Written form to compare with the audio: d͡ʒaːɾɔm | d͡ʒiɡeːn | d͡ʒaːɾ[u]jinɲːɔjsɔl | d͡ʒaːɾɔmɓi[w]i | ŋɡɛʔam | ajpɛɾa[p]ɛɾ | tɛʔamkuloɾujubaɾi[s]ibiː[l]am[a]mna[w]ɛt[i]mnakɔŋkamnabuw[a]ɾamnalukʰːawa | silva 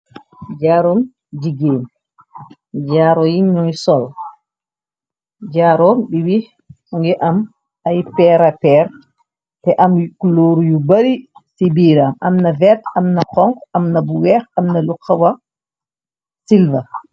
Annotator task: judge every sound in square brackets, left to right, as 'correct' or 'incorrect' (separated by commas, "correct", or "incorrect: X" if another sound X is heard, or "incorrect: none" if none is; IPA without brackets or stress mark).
incorrect: ɔ, correct, correct, correct, incorrect: ɾ, correct, incorrect: v, incorrect: a, incorrect: ɛ